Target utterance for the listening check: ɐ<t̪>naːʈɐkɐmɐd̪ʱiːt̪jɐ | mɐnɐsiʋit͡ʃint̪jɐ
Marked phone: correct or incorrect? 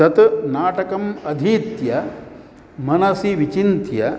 correct